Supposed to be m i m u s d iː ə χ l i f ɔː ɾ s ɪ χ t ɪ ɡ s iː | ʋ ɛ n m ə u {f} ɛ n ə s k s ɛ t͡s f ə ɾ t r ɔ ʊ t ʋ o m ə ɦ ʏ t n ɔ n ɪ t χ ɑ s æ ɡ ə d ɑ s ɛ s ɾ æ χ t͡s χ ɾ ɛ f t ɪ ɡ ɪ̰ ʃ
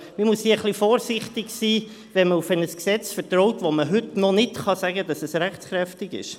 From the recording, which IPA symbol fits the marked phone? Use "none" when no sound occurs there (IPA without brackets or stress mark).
f